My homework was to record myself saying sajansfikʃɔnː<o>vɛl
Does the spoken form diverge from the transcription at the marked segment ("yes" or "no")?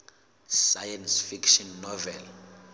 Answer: yes